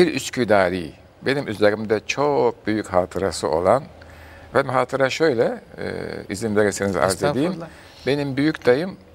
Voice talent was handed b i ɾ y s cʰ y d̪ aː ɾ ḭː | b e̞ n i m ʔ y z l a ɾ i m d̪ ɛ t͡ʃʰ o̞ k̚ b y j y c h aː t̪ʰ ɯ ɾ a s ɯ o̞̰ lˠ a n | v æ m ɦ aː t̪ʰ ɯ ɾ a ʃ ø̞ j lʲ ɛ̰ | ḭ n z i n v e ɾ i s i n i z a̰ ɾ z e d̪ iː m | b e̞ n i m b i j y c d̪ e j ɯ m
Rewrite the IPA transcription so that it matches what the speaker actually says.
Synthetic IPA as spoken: b i ɾ y s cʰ y d̪ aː ɾ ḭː | b e̞ n i m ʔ y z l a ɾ i m d̪ ɛ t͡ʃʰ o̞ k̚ b y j y c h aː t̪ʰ ɯ ɾ a s ɯ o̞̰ lˠ a n | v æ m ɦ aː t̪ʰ ɯ ɾ a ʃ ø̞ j lʲ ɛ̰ | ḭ z i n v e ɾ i s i n i z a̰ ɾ z e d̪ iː m | b e̞ n i m b y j y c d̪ a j ɯ m